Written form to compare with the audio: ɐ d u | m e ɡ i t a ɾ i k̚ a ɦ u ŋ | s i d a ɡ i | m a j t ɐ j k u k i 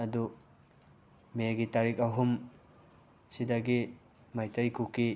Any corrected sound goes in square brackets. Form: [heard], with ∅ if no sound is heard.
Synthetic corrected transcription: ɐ d u | m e ɡ i t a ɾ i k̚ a ɦ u [m] | s i d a ɡ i | m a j t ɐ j k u k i